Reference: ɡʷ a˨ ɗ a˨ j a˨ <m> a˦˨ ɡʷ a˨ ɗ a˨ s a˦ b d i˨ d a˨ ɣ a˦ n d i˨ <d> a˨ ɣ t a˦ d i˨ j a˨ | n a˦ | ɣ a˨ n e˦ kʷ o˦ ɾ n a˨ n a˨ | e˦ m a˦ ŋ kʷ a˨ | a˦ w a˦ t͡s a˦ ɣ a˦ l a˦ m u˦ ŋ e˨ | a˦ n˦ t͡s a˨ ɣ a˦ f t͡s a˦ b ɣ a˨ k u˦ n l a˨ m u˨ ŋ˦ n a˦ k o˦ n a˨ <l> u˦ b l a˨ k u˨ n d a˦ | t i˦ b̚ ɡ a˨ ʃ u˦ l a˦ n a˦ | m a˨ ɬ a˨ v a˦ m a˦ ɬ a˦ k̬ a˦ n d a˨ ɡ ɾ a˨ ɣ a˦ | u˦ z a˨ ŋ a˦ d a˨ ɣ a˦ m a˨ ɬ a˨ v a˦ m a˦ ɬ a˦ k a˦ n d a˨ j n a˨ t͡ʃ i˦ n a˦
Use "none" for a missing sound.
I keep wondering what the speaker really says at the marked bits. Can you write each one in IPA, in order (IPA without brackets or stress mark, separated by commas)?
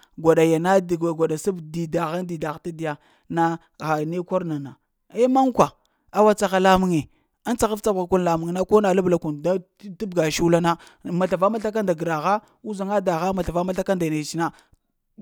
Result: n, d, l